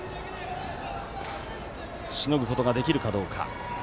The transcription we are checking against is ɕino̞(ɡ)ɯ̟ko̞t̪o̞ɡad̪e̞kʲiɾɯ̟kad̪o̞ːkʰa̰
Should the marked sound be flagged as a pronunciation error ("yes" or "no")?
no